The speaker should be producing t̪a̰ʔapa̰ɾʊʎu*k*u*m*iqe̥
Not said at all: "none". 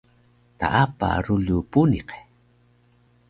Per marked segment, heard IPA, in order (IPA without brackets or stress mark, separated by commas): p, n